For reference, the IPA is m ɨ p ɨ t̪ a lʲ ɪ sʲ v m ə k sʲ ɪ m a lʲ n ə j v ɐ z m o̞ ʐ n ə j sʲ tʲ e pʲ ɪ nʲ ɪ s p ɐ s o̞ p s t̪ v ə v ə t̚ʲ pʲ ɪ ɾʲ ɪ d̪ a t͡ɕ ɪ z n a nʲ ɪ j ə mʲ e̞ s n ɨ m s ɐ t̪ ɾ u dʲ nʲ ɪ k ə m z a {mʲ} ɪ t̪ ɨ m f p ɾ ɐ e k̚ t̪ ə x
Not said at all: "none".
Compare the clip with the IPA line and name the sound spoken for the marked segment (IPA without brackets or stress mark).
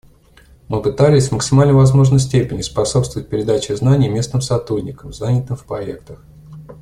nʲ